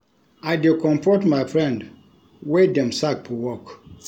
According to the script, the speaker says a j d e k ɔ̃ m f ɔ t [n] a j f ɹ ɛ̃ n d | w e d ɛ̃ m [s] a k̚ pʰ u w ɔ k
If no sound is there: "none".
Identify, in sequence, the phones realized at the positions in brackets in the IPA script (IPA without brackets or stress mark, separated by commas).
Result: m, s